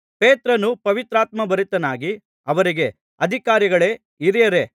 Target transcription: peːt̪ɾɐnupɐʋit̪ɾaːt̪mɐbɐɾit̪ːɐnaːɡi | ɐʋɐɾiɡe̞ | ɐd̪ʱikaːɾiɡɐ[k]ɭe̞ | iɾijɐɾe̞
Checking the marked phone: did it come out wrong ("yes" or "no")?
yes